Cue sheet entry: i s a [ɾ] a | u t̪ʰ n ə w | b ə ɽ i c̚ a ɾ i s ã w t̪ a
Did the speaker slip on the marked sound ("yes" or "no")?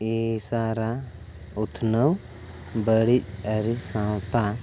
no